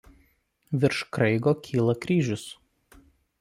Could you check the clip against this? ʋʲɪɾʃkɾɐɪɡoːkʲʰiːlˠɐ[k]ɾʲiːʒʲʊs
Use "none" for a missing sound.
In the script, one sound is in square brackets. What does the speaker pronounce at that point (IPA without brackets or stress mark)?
k